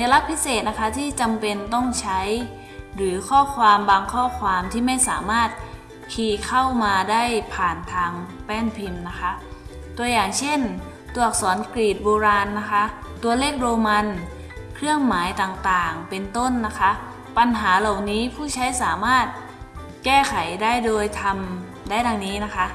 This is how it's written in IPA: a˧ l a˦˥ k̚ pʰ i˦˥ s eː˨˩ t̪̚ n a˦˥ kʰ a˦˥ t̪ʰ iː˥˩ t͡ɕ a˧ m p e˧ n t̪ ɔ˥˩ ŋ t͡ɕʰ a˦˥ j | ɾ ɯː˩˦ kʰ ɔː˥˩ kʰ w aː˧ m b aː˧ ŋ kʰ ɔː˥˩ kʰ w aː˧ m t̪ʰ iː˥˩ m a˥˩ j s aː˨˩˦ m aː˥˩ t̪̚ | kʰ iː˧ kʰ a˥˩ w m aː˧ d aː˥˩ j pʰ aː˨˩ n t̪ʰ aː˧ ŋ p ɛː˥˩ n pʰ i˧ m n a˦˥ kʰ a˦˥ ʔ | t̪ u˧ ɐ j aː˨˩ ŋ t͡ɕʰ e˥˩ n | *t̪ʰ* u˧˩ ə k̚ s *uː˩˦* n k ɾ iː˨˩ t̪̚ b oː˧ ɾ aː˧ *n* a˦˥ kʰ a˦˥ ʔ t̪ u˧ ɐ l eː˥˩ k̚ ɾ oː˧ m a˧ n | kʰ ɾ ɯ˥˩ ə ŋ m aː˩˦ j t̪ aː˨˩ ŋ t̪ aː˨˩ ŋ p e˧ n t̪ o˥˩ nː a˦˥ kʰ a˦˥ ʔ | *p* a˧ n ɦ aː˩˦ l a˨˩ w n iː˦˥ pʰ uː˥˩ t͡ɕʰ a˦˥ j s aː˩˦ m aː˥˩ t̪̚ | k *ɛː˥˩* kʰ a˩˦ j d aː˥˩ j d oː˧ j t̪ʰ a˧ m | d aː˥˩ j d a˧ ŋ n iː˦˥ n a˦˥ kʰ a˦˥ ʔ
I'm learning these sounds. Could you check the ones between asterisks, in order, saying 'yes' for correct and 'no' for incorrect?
no, no, no, yes, yes

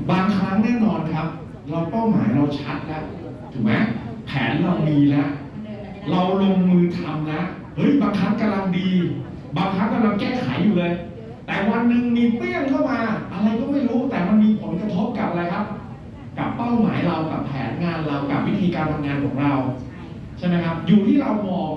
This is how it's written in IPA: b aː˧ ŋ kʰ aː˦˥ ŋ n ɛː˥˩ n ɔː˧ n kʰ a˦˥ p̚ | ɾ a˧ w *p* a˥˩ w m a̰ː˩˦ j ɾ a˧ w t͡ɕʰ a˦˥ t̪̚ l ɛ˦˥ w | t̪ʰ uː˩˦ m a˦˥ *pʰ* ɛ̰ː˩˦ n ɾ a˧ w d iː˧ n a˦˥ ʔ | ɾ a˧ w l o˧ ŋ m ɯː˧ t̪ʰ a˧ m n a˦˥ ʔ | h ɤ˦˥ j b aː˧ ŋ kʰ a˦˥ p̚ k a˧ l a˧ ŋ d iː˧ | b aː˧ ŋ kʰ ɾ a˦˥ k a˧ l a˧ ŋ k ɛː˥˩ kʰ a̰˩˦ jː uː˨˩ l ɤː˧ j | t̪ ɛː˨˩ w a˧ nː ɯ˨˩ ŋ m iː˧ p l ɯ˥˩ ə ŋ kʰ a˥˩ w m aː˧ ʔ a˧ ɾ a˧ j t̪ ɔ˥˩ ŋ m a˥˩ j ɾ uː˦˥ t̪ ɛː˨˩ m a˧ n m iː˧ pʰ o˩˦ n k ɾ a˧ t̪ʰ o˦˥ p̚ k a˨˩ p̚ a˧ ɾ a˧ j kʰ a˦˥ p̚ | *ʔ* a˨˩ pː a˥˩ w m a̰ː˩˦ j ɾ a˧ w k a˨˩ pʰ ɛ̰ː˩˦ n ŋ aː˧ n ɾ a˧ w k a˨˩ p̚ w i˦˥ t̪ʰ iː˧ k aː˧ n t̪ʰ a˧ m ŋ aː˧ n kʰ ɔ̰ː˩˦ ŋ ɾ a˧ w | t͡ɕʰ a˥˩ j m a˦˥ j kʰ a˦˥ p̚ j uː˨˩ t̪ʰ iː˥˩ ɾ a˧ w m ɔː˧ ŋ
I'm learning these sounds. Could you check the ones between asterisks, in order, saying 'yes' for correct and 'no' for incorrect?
yes, yes, no

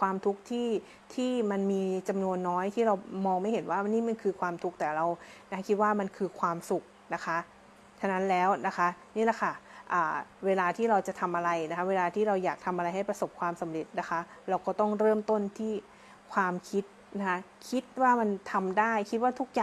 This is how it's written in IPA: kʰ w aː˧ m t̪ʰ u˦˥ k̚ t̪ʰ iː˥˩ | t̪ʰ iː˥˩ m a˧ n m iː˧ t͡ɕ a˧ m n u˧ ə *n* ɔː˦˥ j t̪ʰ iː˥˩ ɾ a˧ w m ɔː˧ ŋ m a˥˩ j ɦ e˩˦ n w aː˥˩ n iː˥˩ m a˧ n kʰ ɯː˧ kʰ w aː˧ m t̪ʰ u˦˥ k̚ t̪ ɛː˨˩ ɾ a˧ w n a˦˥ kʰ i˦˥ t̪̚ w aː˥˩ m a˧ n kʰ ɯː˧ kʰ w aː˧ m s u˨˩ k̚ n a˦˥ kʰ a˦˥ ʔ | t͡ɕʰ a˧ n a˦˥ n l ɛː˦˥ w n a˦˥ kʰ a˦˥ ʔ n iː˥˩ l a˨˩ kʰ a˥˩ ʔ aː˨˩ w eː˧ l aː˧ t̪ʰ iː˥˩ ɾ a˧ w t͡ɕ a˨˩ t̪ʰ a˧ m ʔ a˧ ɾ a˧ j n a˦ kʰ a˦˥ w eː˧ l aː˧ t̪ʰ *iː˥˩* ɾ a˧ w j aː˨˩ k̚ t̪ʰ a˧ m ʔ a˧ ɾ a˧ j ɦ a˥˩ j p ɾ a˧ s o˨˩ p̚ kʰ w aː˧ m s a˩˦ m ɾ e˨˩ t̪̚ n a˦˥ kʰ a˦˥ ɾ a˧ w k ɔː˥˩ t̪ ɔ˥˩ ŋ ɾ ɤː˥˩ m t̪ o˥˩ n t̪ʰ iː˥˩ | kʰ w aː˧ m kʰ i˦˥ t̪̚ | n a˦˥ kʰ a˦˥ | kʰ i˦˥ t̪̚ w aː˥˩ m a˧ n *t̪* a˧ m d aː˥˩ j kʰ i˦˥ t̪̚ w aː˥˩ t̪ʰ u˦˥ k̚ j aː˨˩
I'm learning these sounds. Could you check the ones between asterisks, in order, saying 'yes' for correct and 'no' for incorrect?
no, yes, no

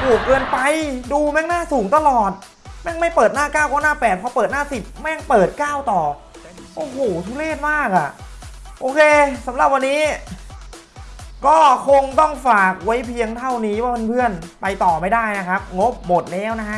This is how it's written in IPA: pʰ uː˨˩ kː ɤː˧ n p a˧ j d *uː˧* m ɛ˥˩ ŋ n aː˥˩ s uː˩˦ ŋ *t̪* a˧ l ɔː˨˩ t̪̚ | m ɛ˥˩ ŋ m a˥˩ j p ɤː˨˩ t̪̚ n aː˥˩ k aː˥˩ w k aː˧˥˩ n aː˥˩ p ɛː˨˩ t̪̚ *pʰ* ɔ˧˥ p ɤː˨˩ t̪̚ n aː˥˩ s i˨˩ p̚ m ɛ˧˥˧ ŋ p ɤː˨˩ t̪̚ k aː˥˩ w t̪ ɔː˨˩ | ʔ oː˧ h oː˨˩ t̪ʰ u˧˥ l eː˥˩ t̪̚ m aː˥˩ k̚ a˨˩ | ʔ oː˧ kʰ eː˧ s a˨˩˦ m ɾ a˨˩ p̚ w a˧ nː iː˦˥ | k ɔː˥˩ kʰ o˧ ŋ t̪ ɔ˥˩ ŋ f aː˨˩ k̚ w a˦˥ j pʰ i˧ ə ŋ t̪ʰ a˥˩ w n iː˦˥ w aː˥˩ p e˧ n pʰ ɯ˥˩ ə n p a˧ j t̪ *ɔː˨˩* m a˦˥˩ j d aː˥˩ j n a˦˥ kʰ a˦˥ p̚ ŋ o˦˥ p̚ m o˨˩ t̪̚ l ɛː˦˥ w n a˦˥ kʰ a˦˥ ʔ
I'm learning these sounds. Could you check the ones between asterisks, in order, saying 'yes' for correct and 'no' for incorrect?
yes, yes, yes, yes

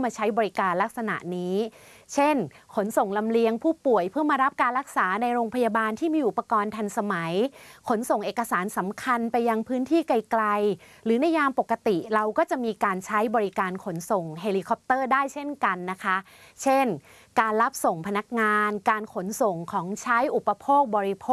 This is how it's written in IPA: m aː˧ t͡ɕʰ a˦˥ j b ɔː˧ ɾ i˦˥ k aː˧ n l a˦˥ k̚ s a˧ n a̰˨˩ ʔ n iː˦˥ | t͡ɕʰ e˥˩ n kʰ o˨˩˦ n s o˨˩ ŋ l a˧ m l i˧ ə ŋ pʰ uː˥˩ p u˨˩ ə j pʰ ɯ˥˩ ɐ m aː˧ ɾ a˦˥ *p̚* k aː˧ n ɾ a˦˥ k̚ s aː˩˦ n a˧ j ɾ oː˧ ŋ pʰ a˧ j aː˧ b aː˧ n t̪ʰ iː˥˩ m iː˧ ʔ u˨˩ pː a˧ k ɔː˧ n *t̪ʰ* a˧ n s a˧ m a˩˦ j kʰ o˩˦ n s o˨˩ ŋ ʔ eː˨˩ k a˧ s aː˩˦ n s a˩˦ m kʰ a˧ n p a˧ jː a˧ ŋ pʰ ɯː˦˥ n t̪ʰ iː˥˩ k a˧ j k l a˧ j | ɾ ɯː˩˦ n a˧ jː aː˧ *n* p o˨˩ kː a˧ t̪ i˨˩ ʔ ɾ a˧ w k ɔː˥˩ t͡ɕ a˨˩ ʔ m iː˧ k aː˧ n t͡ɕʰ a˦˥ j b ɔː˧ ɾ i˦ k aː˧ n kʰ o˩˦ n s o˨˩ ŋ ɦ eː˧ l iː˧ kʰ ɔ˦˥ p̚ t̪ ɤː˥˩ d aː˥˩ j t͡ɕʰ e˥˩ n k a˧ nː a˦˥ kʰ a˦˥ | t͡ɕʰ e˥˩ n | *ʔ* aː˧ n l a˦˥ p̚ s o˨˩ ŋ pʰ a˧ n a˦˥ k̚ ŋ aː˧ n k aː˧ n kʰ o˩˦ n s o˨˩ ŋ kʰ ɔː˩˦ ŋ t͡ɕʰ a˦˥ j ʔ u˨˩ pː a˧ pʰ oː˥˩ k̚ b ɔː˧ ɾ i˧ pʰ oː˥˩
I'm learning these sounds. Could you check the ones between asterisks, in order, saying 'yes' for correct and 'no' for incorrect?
yes, yes, no, no

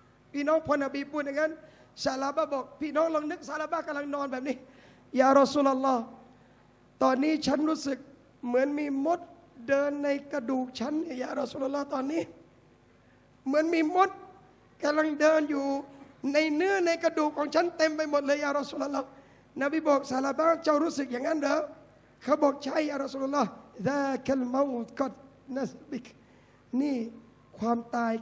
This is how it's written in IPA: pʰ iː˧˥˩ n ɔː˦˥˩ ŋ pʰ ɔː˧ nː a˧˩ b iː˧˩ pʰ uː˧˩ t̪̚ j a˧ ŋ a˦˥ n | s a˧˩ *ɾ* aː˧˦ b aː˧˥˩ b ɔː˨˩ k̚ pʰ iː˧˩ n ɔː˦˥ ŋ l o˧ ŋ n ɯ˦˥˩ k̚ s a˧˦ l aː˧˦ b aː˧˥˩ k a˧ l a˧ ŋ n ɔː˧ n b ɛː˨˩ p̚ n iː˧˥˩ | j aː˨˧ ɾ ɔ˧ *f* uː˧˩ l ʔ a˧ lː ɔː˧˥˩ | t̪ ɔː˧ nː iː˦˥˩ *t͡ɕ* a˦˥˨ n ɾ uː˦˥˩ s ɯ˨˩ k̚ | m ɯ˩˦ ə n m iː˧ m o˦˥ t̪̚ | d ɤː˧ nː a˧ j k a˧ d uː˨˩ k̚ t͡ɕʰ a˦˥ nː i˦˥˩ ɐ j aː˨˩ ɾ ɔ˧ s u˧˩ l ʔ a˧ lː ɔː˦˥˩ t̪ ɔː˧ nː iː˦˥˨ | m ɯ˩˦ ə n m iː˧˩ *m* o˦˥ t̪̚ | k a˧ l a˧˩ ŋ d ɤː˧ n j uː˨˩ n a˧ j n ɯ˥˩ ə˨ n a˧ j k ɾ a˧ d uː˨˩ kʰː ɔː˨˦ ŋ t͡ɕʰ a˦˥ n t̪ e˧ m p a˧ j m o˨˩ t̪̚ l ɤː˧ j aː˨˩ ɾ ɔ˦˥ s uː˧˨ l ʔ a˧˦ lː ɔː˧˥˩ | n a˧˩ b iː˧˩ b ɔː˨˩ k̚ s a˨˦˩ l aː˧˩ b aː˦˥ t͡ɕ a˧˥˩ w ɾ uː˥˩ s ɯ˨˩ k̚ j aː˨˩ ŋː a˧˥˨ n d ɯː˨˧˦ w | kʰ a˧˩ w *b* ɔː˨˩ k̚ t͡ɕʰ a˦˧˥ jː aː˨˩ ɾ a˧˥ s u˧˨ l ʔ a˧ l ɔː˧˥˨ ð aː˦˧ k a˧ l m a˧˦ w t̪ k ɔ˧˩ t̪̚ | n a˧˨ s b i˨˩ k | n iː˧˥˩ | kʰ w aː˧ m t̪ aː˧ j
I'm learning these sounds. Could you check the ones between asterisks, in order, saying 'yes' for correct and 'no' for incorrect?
no, no, no, yes, yes

